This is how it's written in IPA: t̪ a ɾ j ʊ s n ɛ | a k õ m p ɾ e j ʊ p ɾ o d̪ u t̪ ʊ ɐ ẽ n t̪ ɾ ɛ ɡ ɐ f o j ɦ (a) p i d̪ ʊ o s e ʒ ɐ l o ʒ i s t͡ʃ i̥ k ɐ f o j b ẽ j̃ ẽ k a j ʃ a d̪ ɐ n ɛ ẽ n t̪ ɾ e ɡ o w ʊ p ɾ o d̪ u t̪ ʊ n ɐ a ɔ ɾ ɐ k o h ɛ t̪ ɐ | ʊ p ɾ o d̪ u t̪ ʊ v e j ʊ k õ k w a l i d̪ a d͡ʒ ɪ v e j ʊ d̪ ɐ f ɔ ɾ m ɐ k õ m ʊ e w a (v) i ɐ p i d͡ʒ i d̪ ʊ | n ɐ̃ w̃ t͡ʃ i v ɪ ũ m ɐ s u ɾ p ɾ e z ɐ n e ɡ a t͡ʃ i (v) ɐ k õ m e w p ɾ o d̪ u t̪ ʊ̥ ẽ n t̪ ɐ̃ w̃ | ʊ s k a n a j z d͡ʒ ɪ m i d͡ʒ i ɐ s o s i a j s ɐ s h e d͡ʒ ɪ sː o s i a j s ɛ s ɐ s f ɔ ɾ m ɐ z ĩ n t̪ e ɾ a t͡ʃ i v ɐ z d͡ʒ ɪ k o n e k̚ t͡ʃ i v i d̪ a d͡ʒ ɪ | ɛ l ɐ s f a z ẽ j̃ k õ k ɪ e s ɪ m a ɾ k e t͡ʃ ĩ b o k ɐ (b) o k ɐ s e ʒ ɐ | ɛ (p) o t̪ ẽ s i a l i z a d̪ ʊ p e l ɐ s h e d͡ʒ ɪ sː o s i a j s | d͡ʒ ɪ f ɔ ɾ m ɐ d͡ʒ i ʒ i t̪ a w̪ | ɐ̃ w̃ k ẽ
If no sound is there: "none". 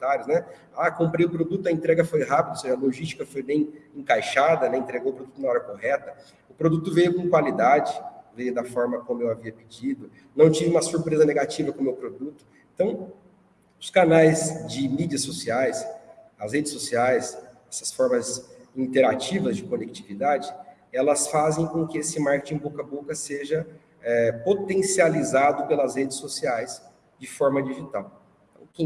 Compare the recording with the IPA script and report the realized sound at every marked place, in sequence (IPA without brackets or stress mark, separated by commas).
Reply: a, v, v, b, p